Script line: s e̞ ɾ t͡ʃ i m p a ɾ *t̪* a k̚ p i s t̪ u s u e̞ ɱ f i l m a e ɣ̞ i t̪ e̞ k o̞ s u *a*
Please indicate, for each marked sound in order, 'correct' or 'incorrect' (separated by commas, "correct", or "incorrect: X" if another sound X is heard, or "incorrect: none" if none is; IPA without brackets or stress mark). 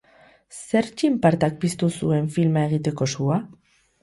correct, correct